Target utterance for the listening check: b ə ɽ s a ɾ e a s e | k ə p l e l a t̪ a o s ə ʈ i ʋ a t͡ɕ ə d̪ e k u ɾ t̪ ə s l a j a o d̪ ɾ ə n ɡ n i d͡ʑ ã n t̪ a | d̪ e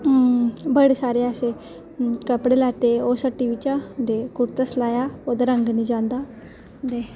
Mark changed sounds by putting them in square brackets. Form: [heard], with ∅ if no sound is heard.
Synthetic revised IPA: b ə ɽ s a ɾ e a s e | k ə p [ɽ] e l a t̪ [e] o s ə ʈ i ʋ [i] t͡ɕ [a] d̪ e k u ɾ t̪ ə s l a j a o d̪ ɾ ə [ŋ] ɡ n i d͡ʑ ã n [d̪] a | d̪ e